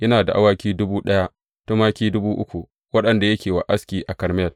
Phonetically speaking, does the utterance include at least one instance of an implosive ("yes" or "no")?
yes